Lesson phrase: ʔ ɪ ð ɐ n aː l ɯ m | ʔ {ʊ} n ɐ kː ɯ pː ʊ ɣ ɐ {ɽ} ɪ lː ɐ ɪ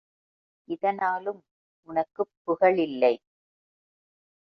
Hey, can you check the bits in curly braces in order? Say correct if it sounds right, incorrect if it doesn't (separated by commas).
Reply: correct, incorrect